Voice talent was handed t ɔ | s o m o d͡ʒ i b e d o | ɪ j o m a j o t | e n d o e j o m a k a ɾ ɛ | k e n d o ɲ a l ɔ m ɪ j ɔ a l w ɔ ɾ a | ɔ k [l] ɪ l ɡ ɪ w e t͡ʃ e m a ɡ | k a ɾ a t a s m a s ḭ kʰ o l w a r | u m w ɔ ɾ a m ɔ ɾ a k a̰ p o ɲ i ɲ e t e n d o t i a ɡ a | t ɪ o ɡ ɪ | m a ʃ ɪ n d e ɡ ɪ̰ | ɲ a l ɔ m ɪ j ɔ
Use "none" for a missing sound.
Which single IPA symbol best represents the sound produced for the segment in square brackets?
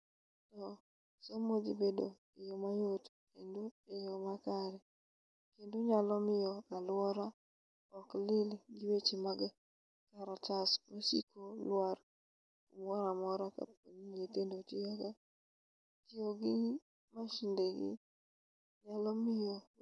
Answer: l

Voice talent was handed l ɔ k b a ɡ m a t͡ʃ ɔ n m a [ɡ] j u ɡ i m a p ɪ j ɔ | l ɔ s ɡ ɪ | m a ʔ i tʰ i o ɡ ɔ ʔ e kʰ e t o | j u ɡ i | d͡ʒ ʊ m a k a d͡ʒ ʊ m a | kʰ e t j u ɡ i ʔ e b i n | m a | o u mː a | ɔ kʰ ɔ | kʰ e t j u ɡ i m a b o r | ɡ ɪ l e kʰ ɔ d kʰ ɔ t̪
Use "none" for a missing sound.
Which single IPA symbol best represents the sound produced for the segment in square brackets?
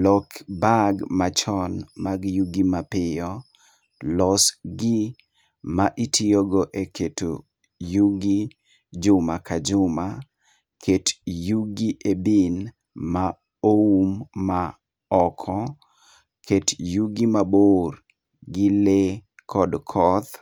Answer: ɡ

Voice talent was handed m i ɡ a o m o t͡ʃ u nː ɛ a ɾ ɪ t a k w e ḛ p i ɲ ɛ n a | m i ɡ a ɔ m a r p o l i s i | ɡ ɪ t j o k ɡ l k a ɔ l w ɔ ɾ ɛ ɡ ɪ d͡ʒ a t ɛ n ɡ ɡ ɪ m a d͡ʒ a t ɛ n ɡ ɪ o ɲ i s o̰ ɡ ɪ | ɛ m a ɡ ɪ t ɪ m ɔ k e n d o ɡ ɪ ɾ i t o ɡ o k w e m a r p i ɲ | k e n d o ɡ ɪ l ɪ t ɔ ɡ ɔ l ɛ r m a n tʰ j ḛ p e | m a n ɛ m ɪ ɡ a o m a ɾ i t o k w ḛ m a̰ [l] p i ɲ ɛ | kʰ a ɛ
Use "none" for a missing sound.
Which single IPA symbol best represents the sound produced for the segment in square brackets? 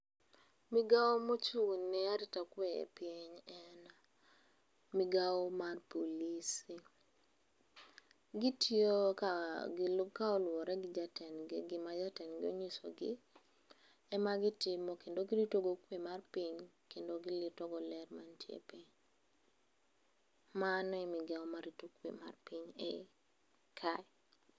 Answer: r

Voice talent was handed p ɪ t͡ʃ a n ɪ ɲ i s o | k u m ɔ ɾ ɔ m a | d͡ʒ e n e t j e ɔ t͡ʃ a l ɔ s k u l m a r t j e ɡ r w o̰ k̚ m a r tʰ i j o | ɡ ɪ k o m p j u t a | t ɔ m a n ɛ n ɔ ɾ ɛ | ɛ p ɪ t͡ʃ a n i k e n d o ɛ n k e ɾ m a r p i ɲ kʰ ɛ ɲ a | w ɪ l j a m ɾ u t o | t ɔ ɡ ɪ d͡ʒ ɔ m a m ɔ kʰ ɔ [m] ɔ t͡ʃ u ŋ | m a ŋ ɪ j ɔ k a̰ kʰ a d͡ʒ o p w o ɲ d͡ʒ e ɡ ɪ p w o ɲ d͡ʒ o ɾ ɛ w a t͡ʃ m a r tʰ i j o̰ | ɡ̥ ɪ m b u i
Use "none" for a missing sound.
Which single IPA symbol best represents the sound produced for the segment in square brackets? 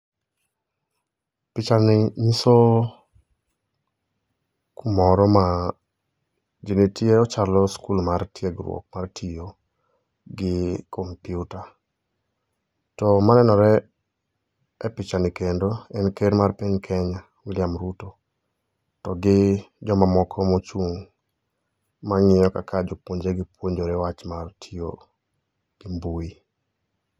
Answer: m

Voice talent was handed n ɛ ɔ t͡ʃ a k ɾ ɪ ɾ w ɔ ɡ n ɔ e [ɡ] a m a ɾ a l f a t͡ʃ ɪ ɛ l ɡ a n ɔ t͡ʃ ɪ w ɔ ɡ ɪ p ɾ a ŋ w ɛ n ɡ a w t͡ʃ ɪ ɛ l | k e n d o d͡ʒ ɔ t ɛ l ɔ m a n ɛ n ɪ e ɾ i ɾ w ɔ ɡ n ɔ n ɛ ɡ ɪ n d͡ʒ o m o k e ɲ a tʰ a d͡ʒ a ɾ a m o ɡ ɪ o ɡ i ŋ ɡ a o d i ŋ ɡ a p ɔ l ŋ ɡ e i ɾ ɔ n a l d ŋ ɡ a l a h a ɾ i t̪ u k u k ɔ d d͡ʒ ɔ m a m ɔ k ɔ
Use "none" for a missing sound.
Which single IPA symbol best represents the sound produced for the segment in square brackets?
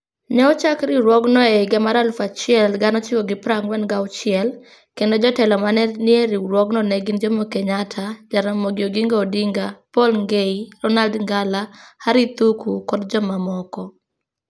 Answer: ɡ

